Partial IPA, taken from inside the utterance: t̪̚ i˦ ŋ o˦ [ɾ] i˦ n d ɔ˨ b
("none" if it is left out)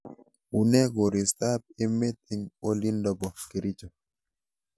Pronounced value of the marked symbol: l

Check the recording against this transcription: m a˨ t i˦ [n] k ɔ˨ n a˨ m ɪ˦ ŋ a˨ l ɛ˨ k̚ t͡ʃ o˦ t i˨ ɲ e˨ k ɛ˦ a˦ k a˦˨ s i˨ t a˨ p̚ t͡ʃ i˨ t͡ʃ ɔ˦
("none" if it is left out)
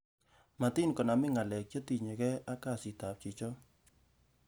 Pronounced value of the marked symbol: n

